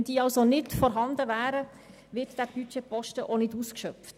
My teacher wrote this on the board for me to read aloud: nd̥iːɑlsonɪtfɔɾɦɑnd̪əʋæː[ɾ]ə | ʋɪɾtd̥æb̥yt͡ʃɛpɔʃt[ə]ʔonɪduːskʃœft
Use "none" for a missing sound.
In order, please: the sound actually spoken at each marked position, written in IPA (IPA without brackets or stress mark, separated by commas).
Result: ɾ, ə